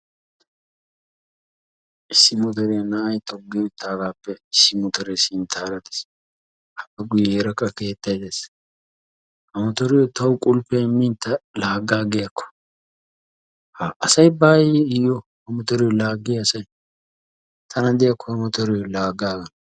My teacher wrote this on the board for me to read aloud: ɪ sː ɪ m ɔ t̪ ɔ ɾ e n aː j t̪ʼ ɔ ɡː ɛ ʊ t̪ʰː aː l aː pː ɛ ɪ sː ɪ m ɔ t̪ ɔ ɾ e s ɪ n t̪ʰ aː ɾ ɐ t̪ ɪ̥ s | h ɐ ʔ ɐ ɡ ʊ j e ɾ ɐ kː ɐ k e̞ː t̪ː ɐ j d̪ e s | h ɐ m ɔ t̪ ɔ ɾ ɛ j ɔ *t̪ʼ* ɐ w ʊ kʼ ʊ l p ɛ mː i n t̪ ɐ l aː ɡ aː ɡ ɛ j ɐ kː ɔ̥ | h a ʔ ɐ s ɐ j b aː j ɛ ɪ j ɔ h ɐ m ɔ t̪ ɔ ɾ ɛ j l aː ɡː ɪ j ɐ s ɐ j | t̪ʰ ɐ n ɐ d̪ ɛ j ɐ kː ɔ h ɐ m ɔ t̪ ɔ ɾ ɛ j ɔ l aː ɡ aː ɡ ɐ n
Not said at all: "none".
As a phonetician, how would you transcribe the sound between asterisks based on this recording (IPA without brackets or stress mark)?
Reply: t̪